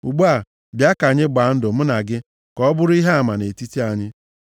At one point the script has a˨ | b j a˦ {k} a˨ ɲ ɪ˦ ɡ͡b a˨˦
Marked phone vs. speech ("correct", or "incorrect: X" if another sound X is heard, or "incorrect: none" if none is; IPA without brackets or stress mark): correct